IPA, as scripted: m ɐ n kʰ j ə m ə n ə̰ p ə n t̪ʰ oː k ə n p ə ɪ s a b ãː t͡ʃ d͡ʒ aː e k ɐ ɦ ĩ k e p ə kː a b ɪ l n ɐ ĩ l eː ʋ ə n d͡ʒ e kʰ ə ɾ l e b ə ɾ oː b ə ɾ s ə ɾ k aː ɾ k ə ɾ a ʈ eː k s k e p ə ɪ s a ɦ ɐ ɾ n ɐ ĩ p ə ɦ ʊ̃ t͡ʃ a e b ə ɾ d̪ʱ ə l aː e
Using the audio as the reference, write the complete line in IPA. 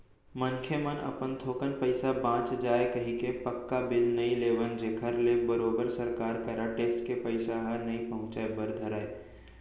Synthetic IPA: m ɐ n kʰ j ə m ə n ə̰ p ə n t̪ʰ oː k ə n p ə ɪ s a b ãː t͡ʃ d͡ʒ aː e k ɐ ɦ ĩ k e p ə kː a b ɪ l n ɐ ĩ l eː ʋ ə n d͡ʒ e kʰ ə ɾ l e b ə ɾ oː b ə ɾ s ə ɾ k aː ɾ k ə ɾ a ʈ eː k s k e p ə ɪ s a ɦ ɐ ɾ n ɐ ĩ p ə ɦ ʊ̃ t͡ʃ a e b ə ɾ d̪ʱ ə ɾ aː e